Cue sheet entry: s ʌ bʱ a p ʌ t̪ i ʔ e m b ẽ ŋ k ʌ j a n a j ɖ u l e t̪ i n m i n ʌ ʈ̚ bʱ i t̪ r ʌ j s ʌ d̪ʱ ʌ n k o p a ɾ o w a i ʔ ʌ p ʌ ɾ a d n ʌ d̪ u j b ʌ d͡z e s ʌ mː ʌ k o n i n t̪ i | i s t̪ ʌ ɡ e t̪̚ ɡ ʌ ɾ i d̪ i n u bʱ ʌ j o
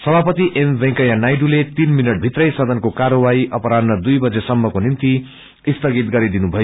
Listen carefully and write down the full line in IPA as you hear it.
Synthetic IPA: s ʌ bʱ a p ʌ t̪ i ʔ e m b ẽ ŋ k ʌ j a n a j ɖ u l e t̪ i n m i n ʌ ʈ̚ bʱ i t̪ r ʌ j s ʌ d̪ʱ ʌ n k o k a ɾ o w a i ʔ ʌ p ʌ ɾ a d n ʌ d̪ u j b ʌ d͡z e s ʌ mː ʌ k o n i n t̪ i | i s t̪ ʌ ɡ i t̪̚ ɡ ʌ ɾ i d̪ i n u bʱ ʌ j o